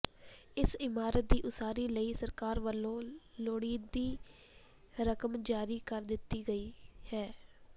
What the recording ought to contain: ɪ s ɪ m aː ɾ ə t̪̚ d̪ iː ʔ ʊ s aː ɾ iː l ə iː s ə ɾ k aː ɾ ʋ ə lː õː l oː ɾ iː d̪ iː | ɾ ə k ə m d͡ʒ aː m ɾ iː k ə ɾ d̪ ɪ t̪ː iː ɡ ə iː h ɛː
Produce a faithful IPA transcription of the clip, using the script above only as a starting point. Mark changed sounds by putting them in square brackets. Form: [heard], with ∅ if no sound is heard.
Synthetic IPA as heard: ɪ s ɪ m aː ɾ ə t̪̚ d̪ iː ʔ ʊ s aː ɾ iː l ə iː s ə ɾ k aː ɾ ʋ ə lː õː l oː [ɽ] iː d̪ iː | ɾ ə k ə m d͡ʒ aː [∅] ɾ iː k ə ɾ d̪ ɪ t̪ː iː ɡ ə iː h ɛː